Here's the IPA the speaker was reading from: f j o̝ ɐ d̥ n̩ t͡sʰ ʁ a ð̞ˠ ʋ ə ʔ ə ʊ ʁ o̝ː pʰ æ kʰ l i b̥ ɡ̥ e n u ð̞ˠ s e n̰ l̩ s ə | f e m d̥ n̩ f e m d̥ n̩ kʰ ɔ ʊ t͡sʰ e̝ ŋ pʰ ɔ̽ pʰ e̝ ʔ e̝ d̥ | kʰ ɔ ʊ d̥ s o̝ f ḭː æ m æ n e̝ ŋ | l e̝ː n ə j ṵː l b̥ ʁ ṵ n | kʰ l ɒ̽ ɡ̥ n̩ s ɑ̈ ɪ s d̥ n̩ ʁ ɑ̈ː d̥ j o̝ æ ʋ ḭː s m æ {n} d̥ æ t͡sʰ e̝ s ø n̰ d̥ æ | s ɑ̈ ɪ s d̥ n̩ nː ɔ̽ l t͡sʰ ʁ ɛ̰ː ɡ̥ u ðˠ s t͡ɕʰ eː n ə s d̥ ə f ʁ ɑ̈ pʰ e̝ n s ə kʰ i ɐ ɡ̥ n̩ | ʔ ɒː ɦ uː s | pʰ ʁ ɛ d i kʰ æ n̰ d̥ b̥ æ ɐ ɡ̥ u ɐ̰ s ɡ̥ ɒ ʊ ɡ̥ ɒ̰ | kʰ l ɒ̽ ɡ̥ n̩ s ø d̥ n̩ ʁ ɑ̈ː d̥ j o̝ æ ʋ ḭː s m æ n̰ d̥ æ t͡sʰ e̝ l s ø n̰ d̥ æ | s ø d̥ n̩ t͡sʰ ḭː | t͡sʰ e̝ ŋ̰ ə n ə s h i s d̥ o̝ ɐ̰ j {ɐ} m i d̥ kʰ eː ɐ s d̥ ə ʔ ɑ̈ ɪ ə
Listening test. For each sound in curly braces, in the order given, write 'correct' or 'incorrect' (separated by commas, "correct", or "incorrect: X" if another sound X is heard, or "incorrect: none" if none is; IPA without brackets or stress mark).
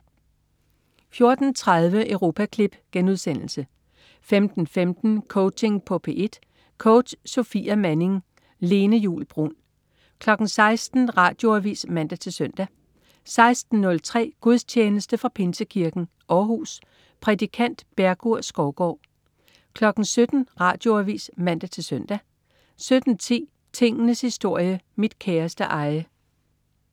correct, incorrect: ə